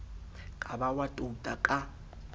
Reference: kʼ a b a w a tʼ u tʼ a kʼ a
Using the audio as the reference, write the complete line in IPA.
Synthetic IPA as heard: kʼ a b a w a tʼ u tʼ a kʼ a